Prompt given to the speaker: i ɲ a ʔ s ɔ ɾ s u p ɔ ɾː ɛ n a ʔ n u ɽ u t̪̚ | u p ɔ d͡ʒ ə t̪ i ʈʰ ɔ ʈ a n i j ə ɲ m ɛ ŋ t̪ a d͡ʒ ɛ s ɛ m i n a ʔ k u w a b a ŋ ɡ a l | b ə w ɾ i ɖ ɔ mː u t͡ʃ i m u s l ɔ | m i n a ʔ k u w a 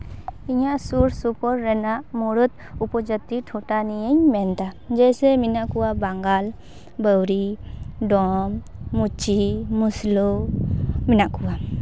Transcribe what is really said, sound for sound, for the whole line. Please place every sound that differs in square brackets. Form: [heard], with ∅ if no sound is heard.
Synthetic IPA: i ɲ a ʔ s [u] ɾ s u p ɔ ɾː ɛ n a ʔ [m] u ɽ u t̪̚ | u p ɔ d͡ʒ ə t̪ i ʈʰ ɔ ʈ a n i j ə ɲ m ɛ [n] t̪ a d͡ʒ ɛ s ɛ m i n a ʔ k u w a b a ŋ ɡ a l | b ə w ɾ i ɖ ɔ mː u t͡ʃ i m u s l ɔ | m i n a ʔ k u w a